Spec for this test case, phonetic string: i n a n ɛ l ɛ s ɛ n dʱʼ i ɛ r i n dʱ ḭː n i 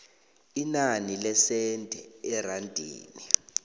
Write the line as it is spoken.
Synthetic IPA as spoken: i n a n i l ɛ s ɛ n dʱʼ ɛ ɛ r a n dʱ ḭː n i